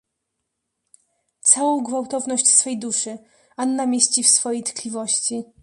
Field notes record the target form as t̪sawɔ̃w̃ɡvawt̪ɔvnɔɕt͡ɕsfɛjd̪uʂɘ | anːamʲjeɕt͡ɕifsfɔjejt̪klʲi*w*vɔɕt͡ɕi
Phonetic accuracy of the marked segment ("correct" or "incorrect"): incorrect